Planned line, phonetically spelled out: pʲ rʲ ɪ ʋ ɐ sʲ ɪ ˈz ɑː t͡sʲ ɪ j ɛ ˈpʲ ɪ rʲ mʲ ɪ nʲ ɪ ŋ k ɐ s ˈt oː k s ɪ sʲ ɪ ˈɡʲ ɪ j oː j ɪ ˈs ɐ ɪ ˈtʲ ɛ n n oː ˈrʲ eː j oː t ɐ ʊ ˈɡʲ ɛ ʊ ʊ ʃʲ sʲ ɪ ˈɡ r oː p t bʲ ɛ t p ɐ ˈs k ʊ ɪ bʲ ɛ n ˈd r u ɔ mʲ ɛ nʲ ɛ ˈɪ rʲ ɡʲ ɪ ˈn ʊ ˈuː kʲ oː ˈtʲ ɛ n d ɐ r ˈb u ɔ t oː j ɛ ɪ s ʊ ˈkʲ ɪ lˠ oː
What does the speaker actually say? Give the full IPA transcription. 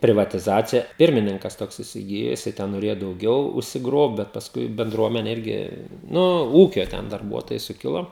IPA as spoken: pʲ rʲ ɪ ʋ ɐ tʲ ɪ ˈz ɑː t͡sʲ ɪ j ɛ ˈpʲ ɪ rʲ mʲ ɪ nʲ ɪ ŋ k ɐ s ˈt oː k s ɪ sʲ ɪ ˈɡʲ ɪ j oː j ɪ ˈs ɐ ɪ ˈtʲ ɛ n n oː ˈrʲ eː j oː d ɐ ʊ ˈɡʲ ɛ ʊ ʊ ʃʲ sʲ ɪ ˈɡ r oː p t bʲ ɛ t p ɐ ˈs k ʊ ɪ bʲ ɛ n ˈd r u ɔ mʲ ɛ nʲ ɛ ˈɪ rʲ ɡʲ ɪ ˈn ʊ ˈuː kʲ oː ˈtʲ ɛ n d ɐ r ˈb u ɔ t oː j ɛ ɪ s ʊ ˈkʲ ɪ lˠ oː